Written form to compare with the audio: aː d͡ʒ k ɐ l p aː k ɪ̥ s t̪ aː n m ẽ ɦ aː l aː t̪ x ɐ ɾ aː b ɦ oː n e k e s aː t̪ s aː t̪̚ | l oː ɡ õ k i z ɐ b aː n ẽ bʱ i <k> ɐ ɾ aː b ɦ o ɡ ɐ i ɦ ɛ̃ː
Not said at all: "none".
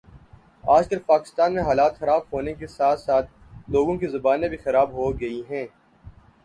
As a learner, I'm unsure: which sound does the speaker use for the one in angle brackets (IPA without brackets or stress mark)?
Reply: x